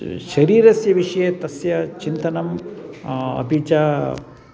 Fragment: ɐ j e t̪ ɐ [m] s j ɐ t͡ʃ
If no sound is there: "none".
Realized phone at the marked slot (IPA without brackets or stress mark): none